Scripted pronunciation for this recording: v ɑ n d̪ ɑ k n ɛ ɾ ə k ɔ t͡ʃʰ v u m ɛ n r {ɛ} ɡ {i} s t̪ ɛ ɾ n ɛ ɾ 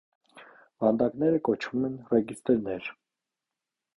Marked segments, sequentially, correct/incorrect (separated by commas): correct, correct